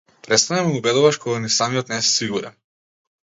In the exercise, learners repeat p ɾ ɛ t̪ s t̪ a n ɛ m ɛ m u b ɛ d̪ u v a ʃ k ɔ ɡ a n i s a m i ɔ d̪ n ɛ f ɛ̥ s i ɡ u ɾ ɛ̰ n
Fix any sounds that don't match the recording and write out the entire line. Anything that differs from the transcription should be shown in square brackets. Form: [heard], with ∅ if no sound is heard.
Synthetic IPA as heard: p ɾ ɛ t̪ s t̪ a n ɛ m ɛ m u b ɛ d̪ u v a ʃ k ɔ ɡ a n i s a m i ɔ [t̪] n ɛ [s] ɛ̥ s i ɡ u ɾ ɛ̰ n

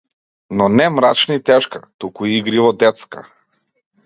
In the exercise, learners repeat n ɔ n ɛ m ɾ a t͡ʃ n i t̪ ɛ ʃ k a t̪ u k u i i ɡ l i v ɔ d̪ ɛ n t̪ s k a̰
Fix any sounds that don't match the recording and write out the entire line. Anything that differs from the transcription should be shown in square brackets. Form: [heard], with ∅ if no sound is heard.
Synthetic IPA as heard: n ɔ n ɛ m ɾ a t͡ʃ n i t̪ ɛ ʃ k a t̪ u k u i i ɡ [ɾ] i v ɔ d̪ ɛ [∅] t̪ s k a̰

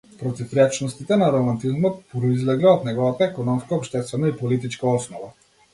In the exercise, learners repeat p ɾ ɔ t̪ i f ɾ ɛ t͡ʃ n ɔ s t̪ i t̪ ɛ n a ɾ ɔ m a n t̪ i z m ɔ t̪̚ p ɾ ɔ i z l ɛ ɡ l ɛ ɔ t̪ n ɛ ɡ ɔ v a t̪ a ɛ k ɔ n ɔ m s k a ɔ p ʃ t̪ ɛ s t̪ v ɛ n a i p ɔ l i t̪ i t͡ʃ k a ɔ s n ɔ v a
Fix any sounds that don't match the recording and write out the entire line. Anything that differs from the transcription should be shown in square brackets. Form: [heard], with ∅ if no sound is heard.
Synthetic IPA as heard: p ɾ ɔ t̪ i f ɾ ɛ t͡ʃ n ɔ s t̪ i t̪ ɛ n a ɾ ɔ m a n t̪ i z m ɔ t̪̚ p ɾ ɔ i z l ɛ ɡ l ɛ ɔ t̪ n ɛ ɡ ɔ v a t̪ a ɛ k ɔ n ɔ m s k a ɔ p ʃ t̪ ɛ s t̪ v ɛ n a i p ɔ l i t̪ i t͡ʃ k a ɔ s n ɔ v a

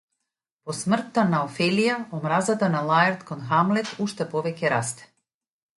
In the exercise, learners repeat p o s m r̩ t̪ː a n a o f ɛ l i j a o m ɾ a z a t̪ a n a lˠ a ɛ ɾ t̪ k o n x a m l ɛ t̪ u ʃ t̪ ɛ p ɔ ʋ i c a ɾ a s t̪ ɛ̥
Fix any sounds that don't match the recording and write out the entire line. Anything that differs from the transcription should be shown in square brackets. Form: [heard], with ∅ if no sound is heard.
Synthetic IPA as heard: p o s m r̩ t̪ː a n a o f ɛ l i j a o m ɾ a z a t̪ a n a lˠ a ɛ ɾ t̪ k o n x a m l ɛ t̪ u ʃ t̪ ɛ p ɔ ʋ [ɛ] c [ɛ] ɾ a s t̪ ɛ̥

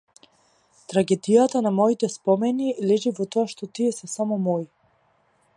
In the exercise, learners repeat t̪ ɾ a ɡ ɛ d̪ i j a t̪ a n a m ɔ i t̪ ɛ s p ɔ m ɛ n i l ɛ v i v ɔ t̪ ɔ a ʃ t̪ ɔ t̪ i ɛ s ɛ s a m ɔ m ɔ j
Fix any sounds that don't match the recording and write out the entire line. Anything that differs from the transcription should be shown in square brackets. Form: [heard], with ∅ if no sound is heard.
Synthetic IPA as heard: t̪ ɾ a ɡ ɛ d̪ i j a t̪ a n a m ɔ i t̪ ɛ s p ɔ m ɛ n i l ɛ [ʒ] i v ɔ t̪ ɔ a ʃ t̪ ɔ t̪ i ɛ s ɛ s a m ɔ m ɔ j

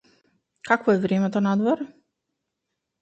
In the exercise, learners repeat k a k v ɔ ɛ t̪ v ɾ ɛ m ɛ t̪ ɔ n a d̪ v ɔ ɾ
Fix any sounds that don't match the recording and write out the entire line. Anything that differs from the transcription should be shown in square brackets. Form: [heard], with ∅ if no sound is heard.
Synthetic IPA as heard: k a k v ɔ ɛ [∅] v ɾ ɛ m ɛ t̪ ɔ n a d̪ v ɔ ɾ

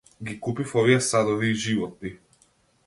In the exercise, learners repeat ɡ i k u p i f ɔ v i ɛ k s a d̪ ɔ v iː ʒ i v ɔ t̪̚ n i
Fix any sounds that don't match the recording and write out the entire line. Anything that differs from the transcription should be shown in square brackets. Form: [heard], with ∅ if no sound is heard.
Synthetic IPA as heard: ɡ i k u p i f ɔ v i ɛ [∅] s a d̪ ɔ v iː ʒ i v ɔ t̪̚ n i

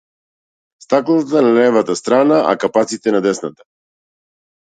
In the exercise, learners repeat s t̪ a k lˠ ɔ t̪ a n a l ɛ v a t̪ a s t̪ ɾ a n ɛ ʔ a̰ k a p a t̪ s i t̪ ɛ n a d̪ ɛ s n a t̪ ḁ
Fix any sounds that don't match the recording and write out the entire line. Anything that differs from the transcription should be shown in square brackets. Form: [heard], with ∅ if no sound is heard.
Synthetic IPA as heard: s t̪ a k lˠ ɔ t̪ a n a l ɛ v a t̪ a s t̪ ɾ a n [a] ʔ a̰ k a p a t̪ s i t̪ ɛ n a d̪ ɛ s n a t̪ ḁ

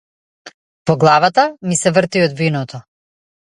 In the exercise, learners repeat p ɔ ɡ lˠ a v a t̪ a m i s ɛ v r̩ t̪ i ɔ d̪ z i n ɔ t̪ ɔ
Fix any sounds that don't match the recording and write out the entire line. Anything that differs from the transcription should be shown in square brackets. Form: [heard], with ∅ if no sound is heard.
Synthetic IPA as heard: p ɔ ɡ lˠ a v a t̪ a m i s ɛ v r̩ t̪ i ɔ d̪ [v] i n ɔ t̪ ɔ

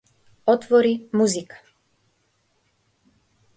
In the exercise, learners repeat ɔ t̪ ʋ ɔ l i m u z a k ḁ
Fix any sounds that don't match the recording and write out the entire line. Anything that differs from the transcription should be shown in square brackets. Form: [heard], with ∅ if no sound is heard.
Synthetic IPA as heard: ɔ t̪ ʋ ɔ [ɾ] i m u z [i] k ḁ

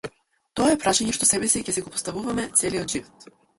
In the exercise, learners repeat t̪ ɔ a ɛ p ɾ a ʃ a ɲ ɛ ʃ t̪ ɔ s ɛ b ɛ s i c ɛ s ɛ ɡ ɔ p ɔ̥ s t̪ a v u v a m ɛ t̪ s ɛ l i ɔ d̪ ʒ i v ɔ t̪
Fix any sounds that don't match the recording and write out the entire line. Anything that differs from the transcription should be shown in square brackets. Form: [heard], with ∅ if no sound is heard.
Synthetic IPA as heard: t̪ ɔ a ɛ p ɾ a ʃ a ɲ ɛ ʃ t̪ ɔ s ɛ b ɛ s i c ɛ s ɛ ɡ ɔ p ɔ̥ s t̪ a v u v a m ɛ t̪ s ɛ l i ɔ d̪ ʒ i v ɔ t̪

